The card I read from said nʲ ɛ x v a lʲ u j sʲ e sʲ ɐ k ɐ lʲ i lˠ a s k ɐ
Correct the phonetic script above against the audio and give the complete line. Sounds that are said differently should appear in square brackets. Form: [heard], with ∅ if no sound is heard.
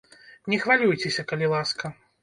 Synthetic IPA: nʲ ɛ x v a lʲ u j [t͡sʲ] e sʲ ɐ k ɐ lʲ i lˠ a s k ɐ